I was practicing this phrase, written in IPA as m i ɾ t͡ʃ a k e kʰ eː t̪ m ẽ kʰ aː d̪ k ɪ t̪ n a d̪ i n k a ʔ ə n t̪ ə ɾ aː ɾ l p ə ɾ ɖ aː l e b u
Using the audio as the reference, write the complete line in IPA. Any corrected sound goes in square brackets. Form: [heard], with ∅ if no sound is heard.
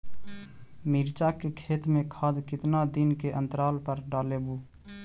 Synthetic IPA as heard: m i ɾ t͡ʃ a k e kʰ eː t̪ m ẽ kʰ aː d̪ k ɪ t̪ n a d̪ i n k [e] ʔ ə n t̪ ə ɾ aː [∅] l p ə ɾ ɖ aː l e b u